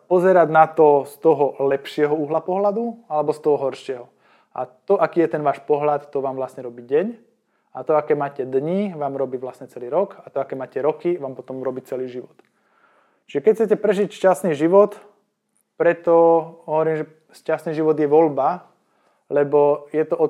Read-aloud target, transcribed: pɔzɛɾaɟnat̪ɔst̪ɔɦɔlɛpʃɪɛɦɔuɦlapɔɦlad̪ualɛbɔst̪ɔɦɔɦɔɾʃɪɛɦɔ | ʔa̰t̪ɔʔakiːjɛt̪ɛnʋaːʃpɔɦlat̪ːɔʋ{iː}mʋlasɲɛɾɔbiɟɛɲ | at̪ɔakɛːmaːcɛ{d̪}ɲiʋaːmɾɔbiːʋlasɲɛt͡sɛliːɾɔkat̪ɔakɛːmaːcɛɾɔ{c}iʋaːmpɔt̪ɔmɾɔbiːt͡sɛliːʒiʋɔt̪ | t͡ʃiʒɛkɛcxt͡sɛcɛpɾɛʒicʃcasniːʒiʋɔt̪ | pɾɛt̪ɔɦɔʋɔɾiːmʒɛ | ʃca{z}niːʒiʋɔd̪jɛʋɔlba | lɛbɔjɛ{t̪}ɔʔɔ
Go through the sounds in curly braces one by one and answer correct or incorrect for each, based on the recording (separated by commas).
incorrect, correct, incorrect, incorrect, correct